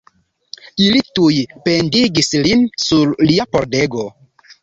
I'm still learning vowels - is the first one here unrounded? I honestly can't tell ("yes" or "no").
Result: yes